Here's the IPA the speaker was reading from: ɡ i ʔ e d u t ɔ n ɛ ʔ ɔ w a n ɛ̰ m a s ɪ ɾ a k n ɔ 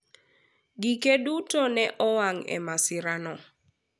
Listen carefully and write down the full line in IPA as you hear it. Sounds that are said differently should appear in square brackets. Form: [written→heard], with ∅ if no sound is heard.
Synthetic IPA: ɡ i [ʔ→k] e d u t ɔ n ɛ ʔ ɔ w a [n→ŋ] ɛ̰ m a s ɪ ɾ a [k→∅] n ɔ